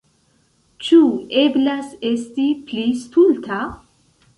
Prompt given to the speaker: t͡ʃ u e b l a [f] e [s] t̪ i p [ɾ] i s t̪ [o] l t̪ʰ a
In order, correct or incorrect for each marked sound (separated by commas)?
incorrect, correct, incorrect, incorrect